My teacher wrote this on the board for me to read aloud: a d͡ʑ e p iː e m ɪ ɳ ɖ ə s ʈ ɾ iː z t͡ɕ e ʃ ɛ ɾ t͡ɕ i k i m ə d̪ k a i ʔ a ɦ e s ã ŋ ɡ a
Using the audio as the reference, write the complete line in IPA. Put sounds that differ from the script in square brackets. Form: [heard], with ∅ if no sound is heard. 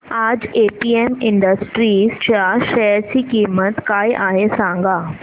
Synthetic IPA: a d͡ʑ e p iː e m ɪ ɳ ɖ ə s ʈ ɾ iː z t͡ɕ [a] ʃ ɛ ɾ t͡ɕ i k i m ə [t̪] k a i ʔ a ɦ e s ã ŋ ɡ a